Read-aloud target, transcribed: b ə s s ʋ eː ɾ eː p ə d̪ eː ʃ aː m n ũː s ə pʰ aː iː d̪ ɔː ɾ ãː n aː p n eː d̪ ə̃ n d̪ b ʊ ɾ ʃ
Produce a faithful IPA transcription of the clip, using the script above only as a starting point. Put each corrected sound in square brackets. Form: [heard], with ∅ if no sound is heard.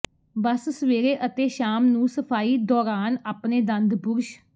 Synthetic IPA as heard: b ə s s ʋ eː ɾ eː [ʔ] ə [t̪] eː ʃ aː m n ũː s ə pʰ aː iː d̪ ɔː ɾ [aː] n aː p n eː d̪ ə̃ n d̪ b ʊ ɾ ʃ